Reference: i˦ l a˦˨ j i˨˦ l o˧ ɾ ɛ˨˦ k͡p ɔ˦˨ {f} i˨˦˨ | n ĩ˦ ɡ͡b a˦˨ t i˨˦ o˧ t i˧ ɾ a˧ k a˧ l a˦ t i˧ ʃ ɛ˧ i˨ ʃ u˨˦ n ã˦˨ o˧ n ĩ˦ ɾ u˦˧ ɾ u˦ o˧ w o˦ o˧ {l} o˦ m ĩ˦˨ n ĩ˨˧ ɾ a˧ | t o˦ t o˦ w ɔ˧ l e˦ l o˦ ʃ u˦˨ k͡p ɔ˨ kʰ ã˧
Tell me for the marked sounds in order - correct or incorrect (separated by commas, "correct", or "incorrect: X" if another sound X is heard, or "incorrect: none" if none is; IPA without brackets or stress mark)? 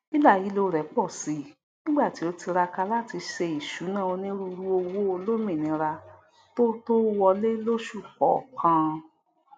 incorrect: s, correct